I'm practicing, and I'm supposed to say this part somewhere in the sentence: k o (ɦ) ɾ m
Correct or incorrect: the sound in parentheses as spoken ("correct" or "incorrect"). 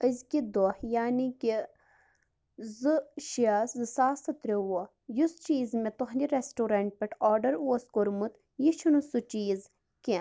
incorrect